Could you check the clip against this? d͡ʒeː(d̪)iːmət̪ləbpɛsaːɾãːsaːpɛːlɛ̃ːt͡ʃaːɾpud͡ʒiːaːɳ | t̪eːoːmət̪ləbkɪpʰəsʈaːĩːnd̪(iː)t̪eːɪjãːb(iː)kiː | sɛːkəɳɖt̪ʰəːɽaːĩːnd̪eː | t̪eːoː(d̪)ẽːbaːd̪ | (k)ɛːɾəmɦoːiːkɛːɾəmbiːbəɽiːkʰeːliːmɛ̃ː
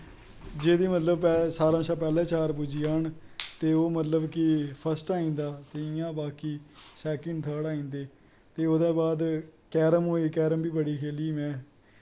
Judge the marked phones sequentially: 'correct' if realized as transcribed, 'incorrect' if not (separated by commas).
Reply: correct, incorrect, incorrect, correct, correct